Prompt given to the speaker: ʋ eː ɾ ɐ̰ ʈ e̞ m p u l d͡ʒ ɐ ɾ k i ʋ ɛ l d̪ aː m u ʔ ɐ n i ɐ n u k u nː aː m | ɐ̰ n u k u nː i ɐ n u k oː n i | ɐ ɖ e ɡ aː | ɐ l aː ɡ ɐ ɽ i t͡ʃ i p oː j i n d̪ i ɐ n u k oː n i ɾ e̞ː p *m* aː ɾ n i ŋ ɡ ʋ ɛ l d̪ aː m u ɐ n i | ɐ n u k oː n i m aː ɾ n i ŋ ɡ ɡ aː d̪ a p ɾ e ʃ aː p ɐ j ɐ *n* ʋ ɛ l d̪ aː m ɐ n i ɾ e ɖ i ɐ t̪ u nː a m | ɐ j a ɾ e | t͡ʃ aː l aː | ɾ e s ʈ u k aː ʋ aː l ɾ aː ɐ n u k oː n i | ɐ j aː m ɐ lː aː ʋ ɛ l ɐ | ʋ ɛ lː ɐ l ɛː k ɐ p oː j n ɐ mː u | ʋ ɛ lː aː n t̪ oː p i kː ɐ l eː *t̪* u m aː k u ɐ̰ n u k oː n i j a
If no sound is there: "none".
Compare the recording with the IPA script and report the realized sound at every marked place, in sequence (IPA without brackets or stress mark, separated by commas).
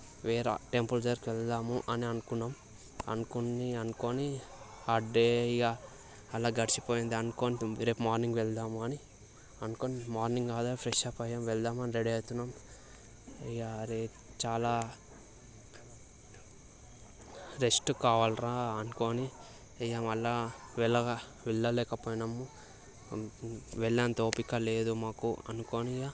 m, m, d̪